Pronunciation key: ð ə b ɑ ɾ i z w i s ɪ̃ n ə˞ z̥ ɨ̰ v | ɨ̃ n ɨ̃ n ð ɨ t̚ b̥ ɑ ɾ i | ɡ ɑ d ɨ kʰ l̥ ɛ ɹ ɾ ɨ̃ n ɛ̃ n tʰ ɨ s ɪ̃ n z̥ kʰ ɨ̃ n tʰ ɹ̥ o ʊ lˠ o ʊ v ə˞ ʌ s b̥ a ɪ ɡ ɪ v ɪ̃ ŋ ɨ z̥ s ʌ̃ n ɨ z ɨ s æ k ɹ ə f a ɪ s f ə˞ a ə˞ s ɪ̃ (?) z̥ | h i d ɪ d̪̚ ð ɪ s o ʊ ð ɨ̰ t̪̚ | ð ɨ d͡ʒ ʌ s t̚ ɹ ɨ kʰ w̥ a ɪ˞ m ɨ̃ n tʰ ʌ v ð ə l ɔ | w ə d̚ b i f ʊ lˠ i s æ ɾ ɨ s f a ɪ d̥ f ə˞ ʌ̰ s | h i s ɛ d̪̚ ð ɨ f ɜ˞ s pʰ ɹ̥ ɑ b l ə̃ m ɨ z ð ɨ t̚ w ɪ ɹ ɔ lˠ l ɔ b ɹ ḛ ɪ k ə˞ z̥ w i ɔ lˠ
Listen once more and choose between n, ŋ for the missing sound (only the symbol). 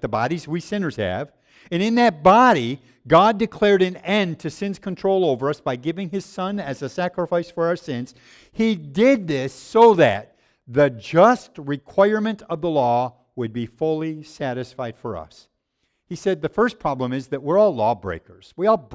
n